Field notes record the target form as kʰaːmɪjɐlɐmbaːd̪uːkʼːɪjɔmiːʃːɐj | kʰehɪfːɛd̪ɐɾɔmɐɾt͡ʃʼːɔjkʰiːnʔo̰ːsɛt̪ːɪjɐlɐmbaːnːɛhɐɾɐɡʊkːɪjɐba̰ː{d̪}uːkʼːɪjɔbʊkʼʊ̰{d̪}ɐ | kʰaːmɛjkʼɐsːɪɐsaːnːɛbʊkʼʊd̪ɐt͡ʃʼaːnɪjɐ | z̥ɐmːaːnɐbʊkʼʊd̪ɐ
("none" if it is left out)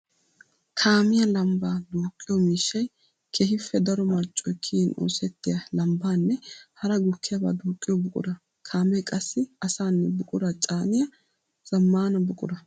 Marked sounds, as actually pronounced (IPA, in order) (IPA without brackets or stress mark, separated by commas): d̪, d̪